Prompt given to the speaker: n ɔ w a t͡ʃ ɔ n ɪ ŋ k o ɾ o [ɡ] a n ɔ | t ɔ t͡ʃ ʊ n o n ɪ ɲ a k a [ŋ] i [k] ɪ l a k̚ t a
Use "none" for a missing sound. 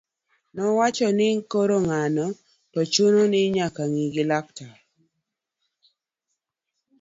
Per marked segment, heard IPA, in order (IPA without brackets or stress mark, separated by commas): ŋ, ŋ, ɡ